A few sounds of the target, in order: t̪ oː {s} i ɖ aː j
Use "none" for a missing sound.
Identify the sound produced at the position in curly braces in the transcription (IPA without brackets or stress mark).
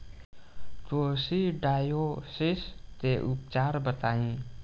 s